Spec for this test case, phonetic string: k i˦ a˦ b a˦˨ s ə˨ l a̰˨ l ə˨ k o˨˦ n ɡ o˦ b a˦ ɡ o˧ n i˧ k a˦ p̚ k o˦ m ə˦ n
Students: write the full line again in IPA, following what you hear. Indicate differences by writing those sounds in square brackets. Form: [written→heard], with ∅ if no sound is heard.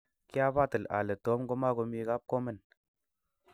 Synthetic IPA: k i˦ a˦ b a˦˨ [s→t] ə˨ l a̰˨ l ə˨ [k→t] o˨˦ [n→m] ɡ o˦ [b→m] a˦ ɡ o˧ [n→m] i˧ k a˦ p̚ k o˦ m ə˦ n